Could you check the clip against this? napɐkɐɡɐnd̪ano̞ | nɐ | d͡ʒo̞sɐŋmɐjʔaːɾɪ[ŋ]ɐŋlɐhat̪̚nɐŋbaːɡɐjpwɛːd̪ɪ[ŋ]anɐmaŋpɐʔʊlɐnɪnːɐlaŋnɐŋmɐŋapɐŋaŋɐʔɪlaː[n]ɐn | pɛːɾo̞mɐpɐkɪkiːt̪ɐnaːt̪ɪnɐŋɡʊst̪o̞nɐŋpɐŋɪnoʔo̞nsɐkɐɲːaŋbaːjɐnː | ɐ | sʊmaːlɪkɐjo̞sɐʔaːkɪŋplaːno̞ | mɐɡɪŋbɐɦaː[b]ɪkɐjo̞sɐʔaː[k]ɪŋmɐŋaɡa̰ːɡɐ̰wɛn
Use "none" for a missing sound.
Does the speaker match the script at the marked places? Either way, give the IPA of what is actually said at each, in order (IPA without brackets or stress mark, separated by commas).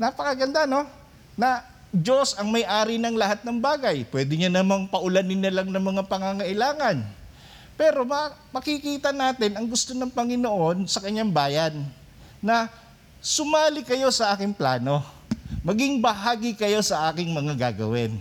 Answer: n, ɲ, ŋ, ɡ, k